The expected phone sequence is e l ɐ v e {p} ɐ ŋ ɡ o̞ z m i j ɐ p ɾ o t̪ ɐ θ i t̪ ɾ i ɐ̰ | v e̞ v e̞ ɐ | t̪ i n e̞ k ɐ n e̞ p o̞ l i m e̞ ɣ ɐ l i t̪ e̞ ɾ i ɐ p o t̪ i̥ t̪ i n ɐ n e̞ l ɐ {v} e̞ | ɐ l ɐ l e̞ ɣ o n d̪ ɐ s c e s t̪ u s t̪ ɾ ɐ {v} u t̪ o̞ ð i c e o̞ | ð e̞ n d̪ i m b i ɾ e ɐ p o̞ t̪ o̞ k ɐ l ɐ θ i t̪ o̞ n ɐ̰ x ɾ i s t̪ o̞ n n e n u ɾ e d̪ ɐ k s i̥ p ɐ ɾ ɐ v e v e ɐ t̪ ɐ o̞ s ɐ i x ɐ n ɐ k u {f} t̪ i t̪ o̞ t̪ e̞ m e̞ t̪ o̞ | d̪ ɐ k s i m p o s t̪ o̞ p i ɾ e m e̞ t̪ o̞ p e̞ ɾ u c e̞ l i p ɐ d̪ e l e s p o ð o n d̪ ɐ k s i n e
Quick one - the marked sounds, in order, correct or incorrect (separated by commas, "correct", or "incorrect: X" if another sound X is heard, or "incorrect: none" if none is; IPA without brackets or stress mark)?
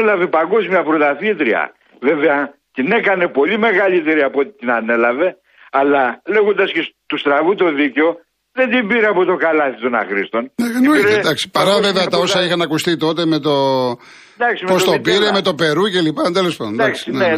correct, correct, correct, incorrect: s